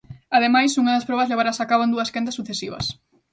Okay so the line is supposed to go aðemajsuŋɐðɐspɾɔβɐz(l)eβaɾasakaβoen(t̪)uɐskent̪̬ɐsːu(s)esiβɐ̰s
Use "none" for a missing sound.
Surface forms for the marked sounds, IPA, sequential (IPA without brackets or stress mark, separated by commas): l, d̪, θ